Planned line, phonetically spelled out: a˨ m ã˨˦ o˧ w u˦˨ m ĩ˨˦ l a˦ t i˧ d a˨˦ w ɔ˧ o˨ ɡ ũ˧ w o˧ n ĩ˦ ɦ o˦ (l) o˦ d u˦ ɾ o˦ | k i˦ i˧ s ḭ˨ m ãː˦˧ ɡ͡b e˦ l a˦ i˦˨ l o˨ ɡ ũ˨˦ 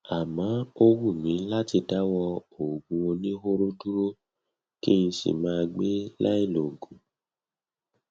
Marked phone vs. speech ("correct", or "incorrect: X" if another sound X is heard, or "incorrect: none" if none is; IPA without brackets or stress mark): incorrect: ɾ